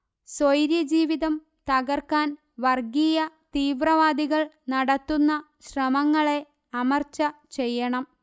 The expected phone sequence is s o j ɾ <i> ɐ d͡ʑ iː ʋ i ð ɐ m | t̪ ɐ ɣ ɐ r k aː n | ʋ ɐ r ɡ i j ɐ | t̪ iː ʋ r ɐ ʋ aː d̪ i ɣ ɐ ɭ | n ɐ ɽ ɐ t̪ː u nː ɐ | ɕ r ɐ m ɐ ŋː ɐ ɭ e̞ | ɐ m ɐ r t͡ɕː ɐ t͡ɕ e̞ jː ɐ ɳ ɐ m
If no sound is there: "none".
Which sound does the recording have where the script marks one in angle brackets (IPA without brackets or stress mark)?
j